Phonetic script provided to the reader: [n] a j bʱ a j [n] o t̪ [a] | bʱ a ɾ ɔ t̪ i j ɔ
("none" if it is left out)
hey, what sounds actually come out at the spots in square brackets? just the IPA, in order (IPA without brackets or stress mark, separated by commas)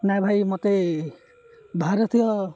n, m, e